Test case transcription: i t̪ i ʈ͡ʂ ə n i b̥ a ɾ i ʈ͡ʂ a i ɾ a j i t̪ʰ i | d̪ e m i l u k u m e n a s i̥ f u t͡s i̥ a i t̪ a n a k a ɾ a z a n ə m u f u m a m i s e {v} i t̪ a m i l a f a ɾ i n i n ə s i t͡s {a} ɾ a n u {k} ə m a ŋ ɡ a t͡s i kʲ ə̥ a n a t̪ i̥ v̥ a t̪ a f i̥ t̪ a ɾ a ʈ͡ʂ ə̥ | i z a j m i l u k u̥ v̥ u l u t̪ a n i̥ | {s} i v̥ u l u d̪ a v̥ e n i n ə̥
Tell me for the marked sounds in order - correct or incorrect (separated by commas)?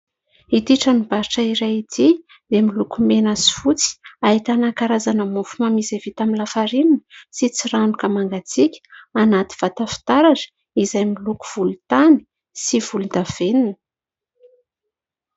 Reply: correct, incorrect, correct, correct